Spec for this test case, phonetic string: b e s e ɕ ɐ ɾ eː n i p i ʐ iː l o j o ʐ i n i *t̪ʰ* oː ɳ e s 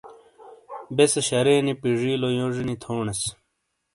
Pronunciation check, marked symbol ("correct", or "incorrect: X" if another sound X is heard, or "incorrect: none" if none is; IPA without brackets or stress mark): correct